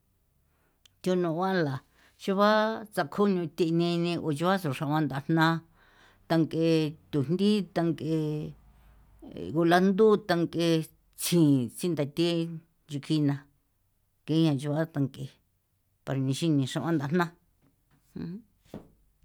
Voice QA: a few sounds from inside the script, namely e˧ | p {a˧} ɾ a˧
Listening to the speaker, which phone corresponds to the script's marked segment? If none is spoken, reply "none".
a˧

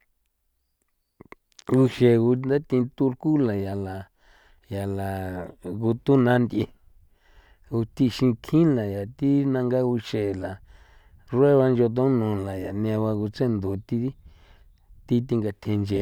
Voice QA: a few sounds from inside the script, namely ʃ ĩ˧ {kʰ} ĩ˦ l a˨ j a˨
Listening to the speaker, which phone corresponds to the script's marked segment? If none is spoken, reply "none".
kʰ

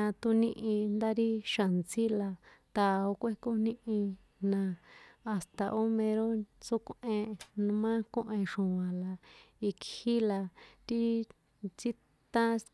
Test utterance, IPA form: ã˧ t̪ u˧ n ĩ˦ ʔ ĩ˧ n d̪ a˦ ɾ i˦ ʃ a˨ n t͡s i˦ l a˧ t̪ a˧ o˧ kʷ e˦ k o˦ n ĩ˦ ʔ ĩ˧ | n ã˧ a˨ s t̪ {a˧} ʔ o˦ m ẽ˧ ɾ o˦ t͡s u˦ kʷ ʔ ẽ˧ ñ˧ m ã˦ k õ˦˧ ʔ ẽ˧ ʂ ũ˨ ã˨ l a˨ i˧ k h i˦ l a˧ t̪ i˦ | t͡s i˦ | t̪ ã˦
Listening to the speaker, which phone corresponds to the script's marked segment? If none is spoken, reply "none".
a˧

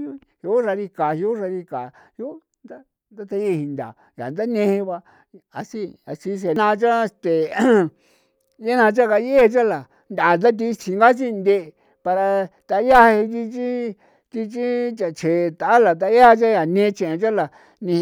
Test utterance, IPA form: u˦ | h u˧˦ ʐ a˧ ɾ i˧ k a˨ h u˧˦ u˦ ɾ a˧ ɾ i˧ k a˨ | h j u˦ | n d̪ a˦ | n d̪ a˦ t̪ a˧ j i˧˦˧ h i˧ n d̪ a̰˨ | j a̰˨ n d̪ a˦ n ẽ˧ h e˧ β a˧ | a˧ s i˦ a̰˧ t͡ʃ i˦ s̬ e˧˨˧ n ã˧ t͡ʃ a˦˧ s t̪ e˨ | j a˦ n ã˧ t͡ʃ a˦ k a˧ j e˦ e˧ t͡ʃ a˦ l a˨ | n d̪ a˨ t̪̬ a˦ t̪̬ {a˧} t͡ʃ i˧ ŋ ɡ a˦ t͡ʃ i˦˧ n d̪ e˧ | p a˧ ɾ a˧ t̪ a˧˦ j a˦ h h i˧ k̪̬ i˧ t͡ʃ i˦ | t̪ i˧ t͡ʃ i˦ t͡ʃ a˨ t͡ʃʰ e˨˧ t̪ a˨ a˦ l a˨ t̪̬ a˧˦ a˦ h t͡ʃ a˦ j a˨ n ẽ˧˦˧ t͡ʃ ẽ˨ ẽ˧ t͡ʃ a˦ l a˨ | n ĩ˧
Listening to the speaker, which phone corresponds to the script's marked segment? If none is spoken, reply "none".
i˧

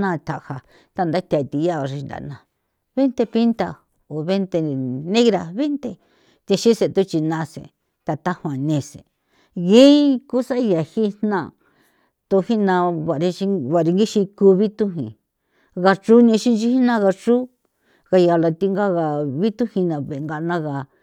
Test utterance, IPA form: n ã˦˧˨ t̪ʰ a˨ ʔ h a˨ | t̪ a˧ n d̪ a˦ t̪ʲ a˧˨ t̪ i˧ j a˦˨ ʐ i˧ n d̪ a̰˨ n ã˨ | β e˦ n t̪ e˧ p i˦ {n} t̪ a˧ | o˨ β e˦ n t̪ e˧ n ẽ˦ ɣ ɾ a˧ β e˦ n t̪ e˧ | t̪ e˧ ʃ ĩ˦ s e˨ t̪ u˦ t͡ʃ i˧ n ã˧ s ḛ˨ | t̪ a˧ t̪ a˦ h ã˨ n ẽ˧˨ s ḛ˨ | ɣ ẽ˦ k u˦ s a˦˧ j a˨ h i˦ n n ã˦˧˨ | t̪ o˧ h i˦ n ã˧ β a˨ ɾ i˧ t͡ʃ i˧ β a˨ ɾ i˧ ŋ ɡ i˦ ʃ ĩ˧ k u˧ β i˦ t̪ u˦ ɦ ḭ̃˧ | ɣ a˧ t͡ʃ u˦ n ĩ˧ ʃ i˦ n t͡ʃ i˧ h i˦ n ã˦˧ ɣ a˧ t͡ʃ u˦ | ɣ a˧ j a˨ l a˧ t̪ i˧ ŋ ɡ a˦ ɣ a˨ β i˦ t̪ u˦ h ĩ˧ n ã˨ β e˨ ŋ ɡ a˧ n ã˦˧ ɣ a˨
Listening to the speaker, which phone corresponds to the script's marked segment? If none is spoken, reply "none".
n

